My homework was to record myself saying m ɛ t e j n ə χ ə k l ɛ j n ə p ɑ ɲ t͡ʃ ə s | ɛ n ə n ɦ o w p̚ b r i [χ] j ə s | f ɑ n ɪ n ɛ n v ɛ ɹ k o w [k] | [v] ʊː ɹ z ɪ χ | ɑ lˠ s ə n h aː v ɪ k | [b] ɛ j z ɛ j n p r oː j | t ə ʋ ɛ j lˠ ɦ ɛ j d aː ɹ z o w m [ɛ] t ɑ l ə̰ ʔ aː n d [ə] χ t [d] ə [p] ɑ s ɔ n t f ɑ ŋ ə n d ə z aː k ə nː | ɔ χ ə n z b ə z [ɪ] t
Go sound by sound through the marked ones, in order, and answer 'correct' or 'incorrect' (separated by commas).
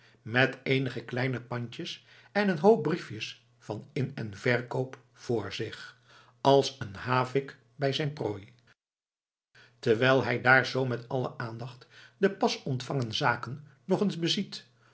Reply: incorrect, incorrect, incorrect, correct, correct, incorrect, correct, correct, incorrect